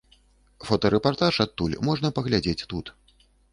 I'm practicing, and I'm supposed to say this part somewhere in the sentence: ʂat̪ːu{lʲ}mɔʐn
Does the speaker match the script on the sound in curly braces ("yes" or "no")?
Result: yes